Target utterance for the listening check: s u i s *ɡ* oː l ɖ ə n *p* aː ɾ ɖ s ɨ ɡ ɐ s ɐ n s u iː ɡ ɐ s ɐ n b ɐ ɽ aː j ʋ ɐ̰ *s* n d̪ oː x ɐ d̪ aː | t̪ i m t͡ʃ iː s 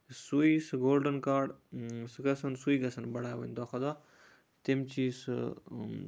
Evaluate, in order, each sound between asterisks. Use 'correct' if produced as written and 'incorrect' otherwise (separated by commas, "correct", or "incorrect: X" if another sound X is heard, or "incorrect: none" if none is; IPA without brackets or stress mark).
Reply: correct, incorrect: k, incorrect: none